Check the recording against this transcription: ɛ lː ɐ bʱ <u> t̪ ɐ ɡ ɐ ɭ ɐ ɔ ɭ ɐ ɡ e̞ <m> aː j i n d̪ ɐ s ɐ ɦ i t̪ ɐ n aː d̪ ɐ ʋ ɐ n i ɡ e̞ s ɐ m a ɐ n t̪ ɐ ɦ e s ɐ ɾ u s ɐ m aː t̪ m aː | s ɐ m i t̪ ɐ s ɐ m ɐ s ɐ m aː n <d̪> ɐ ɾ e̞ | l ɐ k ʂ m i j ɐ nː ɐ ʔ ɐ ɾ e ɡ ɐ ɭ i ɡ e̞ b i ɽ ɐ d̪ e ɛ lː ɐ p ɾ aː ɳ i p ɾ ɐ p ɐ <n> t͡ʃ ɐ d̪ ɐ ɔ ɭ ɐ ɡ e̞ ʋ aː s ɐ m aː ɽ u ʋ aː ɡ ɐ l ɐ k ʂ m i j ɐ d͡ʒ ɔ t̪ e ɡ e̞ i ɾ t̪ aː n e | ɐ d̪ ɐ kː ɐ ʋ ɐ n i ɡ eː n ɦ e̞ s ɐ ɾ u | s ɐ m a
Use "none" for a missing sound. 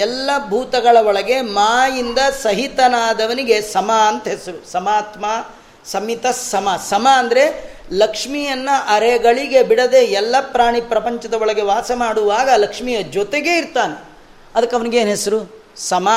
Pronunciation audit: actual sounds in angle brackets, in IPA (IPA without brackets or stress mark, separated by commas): uː, m, d̪, ɲ